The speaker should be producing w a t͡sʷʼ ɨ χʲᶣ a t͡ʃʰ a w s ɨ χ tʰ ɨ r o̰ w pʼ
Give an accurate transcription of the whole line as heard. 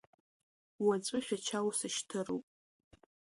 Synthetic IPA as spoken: w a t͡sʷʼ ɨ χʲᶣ a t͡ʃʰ a w s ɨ ʃ tʰ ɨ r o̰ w pʼ